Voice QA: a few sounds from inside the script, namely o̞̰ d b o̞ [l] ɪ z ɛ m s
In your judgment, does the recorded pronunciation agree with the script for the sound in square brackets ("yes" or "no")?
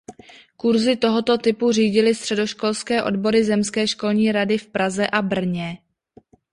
no